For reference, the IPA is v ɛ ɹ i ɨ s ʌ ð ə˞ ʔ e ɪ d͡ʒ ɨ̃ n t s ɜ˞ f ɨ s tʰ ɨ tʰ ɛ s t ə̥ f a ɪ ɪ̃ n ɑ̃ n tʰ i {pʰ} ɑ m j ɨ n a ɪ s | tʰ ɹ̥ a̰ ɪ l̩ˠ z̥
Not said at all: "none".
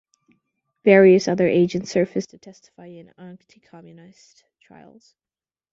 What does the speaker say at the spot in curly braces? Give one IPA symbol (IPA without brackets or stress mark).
kʰ